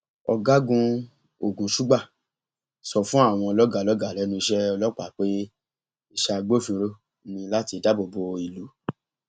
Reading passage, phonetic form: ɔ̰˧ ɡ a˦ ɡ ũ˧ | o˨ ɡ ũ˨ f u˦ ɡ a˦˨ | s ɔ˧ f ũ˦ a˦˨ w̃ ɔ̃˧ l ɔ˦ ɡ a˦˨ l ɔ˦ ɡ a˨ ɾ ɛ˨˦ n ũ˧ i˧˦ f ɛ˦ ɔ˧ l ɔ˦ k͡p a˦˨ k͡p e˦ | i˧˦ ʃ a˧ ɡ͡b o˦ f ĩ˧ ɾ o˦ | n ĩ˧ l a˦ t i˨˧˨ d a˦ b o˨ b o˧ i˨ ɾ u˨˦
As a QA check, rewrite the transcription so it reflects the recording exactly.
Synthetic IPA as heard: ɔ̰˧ ɡ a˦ ɡ ũ˧ | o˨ ɡ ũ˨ ʃ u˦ ɡ͡b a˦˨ | s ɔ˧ f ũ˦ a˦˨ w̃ ɔ̃˧ l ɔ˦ ɡ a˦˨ l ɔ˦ ɡ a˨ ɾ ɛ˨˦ n ũ˧ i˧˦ ʃ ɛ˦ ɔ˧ l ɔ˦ k͡p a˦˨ k͡p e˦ | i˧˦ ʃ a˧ ɡ͡b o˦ f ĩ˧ ɾ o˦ | n ĩ˧ l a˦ t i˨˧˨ d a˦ b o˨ b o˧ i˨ l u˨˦